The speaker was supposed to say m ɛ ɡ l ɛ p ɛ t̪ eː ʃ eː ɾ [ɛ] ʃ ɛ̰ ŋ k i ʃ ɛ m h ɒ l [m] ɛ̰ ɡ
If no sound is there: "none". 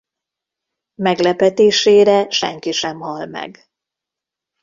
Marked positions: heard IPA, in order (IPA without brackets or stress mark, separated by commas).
ɛ, m